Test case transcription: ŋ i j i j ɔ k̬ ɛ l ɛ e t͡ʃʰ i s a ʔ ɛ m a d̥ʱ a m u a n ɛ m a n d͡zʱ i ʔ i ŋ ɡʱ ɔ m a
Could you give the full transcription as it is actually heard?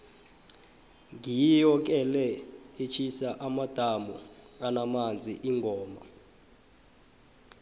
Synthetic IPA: ŋ i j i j ɔ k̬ ɛ l ɛ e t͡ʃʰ i s a ʔ a m a d̥ʱ a m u a n a m a n d͡zʱ i ʔ i ŋ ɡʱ ɔː m a